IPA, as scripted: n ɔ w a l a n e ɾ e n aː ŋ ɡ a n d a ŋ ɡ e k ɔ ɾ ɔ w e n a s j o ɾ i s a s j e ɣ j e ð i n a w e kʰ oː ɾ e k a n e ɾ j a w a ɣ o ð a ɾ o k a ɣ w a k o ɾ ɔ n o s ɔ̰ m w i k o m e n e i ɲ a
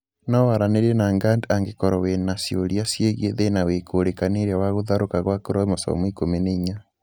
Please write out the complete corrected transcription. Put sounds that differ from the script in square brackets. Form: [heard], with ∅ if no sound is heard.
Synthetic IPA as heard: n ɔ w a [ɾ] a n e ɾ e n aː ŋ ɡ a n d a ŋ ɡ e k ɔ ɾ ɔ w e n a s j o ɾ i [∅] a s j e ɣ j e ð [e] n a w e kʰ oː ɾ e k a n e ɾ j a w a ɣ o ð a ɾ o k a ɣ w a k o ɾ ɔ [m] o s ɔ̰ m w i k o m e n e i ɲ a